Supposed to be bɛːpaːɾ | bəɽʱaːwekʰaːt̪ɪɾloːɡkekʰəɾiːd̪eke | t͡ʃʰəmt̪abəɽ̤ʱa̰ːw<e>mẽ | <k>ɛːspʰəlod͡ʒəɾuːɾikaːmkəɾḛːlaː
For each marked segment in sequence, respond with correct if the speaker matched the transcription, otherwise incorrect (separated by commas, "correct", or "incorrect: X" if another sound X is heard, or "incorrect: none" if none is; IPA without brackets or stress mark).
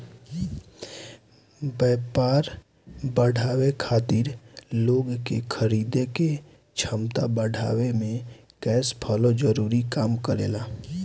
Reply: correct, correct